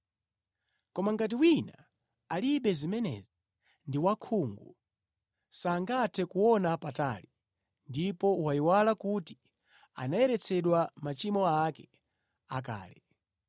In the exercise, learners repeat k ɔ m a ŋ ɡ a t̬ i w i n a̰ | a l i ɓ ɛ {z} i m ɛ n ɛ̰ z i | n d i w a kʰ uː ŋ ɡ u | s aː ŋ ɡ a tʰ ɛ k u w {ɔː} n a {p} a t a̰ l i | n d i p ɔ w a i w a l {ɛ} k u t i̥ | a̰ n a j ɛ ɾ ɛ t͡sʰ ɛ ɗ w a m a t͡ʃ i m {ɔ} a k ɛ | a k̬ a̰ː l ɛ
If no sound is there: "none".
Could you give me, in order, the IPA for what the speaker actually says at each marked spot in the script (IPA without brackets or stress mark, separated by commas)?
z, ɔ, p, a, ɔ